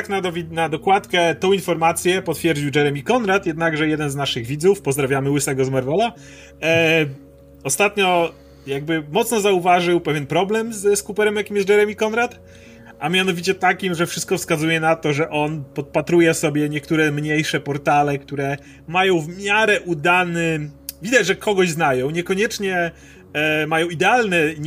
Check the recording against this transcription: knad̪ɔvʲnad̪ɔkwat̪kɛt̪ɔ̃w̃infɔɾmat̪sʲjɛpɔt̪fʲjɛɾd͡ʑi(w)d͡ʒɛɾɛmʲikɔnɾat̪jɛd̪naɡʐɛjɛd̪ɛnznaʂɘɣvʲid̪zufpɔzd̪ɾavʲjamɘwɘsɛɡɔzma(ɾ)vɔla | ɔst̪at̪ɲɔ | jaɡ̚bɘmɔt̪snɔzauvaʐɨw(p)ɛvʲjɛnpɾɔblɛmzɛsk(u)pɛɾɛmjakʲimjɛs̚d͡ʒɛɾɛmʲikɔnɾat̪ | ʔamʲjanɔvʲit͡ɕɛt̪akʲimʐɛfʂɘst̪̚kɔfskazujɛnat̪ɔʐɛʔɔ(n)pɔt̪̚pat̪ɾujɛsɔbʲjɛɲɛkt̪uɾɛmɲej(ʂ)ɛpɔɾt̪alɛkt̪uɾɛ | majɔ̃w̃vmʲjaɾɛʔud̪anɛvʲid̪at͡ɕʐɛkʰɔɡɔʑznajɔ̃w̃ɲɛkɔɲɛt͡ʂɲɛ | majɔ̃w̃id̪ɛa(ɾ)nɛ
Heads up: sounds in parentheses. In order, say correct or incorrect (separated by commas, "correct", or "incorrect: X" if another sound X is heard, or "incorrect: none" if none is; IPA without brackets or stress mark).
correct, correct, correct, correct, correct, correct, incorrect: l